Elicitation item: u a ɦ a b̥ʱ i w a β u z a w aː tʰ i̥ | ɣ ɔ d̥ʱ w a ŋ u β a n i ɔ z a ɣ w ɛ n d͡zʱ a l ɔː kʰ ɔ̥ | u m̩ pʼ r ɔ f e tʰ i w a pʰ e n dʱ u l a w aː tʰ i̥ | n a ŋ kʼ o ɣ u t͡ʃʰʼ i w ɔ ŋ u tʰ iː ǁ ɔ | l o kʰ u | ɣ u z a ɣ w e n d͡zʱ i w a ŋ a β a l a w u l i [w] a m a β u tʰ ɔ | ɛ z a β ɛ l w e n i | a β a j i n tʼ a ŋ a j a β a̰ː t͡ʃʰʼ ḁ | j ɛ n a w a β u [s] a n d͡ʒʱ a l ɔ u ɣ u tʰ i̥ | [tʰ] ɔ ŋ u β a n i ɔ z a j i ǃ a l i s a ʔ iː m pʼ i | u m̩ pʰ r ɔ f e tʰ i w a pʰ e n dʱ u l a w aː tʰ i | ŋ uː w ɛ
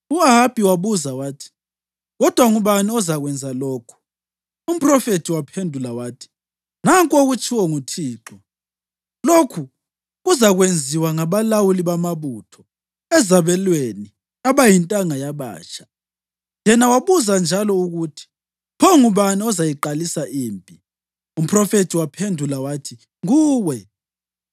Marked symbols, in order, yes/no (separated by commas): no, no, no